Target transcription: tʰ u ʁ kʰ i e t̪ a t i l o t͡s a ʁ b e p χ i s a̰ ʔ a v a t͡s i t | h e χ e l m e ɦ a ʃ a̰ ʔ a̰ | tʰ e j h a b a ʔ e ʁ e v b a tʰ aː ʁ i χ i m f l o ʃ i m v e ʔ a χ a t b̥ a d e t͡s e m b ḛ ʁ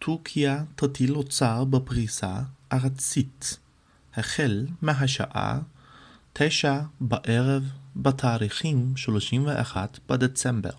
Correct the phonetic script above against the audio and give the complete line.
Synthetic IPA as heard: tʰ u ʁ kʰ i a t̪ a t i l o t͡s a ʁ b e p ʁ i s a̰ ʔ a ʁ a t͡s i t | h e χ e l m e ɦ a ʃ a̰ ʔ a̰ | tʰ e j ʃ a b a ʔ e ʁ e v b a tʰ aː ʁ i χ i m ʃ l o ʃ i m v e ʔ a χ a t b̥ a d e t͡s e m b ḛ ʁ